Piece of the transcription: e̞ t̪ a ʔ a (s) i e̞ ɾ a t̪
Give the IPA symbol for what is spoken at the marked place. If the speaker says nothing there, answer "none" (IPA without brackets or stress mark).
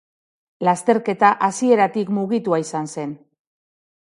s